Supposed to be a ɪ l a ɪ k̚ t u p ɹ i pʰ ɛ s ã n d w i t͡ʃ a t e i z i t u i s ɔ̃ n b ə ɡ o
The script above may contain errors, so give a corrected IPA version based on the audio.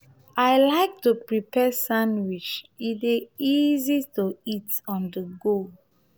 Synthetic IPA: a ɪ l a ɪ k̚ t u p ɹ i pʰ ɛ s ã n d w i t͡ʃ i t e i z i t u i t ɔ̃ n d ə ɡ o